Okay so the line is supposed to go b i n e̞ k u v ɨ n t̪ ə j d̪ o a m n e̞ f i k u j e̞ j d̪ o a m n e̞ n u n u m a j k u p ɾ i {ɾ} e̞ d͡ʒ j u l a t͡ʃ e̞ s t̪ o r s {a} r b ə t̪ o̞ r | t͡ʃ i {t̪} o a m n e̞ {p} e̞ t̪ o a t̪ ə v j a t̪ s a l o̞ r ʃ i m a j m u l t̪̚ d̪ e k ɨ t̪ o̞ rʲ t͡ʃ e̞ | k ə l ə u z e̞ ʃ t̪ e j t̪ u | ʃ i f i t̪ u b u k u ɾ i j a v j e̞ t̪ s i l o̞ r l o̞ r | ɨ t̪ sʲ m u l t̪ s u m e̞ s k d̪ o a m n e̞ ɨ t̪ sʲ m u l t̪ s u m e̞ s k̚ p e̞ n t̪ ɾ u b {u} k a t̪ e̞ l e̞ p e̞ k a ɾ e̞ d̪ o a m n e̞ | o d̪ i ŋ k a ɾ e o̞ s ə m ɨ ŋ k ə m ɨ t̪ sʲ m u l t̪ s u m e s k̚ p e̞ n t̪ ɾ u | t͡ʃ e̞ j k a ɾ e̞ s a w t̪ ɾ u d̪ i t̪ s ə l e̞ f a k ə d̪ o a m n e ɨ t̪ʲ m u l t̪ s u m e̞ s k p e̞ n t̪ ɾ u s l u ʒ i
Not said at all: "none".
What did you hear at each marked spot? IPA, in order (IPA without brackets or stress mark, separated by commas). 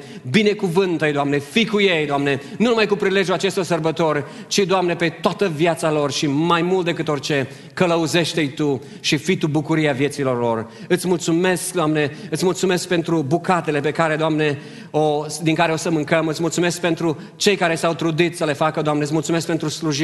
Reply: l, ə, d̪, p, u